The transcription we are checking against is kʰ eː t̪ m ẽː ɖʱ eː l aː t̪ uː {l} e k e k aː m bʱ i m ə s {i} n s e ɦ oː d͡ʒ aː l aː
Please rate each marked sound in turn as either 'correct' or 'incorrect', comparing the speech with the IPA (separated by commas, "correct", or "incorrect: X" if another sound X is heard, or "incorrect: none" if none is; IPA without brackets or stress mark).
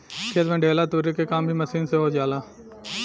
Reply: incorrect: ɾ, incorrect: iː